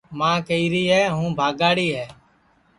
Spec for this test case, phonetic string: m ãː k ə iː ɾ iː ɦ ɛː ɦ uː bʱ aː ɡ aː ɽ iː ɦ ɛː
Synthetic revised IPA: m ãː k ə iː ɾ iː ɦ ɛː ɦ ũː bʱ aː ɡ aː ɽ iː ɦ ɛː